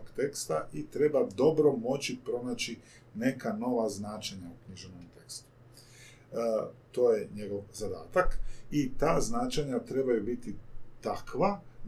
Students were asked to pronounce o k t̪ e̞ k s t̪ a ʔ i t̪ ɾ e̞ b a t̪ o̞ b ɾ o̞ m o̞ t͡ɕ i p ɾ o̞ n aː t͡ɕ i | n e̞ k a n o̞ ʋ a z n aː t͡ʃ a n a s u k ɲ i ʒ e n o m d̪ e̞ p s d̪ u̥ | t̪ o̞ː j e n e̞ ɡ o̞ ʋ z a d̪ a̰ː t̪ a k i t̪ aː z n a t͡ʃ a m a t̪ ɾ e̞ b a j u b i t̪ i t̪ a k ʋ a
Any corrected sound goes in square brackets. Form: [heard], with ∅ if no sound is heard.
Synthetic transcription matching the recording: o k t̪ e̞ k s t̪ a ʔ i t̪ ɾ e̞ b a [d̪] o̞ b ɾ o̞ m o̞ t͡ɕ i p ɾ o̞ n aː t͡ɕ i | n e̞ k a n o̞ ʋ a z n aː t͡ʃ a [ɲ] a [∅] u k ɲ i ʒ e n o m [t̪] e̞ [k] s [t̪] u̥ | t̪ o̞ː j e [ɲ] e̞ ɡ o̞ ʋ z a d̪ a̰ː t̪ a k i t̪ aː z n a t͡ʃ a [ɲ] a t̪ ɾ e̞ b a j u b i t̪ i t̪ a k ʋ a